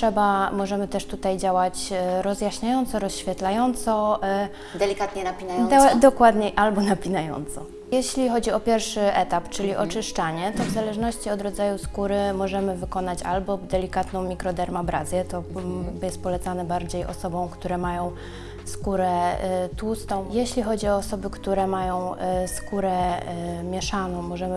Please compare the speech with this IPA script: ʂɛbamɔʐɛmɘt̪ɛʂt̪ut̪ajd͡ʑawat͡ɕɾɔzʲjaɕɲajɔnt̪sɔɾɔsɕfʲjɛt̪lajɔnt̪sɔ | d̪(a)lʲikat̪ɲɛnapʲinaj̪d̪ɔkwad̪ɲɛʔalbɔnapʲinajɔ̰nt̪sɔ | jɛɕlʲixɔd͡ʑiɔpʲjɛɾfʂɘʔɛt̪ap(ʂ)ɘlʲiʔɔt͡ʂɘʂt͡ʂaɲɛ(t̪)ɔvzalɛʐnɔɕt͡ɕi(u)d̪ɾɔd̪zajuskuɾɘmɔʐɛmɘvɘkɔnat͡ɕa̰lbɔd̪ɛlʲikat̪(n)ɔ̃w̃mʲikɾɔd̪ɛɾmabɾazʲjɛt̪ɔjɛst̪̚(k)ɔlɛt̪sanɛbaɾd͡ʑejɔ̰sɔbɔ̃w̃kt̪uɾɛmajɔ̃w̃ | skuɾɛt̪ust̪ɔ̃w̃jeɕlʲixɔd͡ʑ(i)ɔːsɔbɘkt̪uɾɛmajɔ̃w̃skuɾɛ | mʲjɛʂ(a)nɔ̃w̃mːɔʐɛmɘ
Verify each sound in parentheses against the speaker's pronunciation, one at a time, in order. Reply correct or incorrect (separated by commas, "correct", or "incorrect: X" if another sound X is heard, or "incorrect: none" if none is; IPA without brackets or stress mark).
incorrect: ɛ, incorrect: t͡ʂ, correct, incorrect: ɔ, correct, incorrect: p, correct, correct